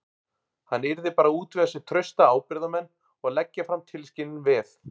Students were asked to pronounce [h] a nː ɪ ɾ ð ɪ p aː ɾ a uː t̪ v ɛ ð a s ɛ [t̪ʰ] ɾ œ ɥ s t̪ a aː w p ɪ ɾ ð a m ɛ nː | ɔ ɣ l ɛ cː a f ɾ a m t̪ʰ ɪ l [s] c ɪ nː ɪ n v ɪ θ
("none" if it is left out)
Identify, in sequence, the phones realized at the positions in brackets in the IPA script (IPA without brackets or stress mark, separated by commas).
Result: h, t̪ʰ, s